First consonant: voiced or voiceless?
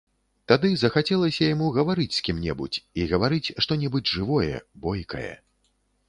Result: voiceless